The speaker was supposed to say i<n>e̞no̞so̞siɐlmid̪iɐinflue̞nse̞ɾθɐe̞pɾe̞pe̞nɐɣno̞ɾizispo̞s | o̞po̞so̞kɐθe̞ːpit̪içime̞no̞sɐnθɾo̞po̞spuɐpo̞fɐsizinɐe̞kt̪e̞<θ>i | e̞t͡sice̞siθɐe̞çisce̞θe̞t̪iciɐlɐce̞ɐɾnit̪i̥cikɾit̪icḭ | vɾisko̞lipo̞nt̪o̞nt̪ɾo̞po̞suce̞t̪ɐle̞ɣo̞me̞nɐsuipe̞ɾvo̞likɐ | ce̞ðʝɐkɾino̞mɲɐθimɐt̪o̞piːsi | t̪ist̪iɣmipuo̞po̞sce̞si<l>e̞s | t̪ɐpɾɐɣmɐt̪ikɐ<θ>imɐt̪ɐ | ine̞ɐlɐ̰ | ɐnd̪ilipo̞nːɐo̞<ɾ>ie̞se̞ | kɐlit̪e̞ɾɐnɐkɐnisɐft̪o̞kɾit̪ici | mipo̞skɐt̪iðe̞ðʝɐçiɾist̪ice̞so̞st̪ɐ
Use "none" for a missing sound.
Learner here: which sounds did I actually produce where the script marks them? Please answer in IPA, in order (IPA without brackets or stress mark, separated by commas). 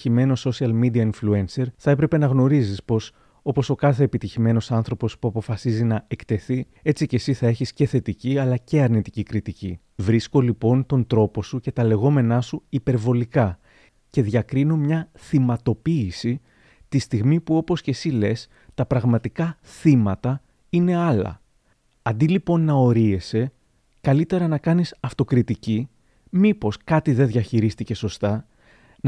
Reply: m, θ, l, θ, ɾ